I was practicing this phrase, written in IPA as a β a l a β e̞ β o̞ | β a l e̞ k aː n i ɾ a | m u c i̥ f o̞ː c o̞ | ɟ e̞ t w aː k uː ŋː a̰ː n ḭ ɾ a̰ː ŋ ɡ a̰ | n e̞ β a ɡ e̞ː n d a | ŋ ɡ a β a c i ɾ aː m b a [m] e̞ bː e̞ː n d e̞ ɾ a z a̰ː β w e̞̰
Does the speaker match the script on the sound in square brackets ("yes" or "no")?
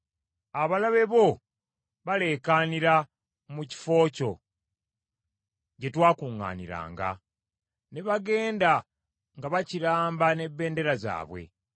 no